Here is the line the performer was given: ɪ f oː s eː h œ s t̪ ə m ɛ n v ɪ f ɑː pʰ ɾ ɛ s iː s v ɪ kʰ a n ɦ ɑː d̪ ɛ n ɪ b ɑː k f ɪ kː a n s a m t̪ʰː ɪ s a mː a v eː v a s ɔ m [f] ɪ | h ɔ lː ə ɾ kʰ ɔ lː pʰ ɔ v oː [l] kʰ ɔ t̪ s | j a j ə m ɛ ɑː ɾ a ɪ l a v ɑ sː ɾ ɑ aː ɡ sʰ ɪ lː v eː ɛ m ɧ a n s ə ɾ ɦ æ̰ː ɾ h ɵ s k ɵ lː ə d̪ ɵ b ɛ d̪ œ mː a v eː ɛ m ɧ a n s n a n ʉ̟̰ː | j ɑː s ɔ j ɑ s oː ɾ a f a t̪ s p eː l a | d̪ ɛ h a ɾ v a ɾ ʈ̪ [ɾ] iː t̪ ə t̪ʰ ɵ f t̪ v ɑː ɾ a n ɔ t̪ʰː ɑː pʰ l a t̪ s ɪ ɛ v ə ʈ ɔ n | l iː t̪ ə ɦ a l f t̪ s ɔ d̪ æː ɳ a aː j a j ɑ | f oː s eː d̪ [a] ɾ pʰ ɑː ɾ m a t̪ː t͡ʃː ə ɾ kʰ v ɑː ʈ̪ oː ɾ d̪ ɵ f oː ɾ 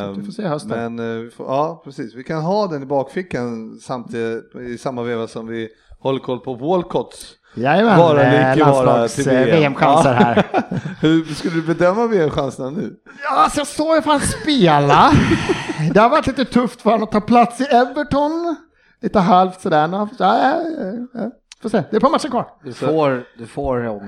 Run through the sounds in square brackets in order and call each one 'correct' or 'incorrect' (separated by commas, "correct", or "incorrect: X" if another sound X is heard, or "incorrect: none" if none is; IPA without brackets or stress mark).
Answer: incorrect: v, correct, incorrect: l, incorrect: ɛ